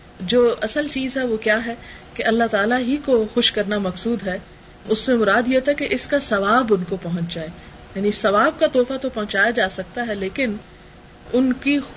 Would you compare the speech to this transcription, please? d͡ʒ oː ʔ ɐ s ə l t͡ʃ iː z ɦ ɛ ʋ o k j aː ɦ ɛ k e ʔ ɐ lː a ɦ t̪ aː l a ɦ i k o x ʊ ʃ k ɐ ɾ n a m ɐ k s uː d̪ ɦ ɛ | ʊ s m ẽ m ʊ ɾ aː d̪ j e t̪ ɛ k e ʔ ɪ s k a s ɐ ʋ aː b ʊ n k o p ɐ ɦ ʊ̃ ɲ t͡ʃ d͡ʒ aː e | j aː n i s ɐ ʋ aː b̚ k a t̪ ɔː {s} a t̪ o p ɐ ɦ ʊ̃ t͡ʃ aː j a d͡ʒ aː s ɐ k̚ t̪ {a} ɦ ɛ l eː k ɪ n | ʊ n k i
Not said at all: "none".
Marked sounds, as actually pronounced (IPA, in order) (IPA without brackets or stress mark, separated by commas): f, a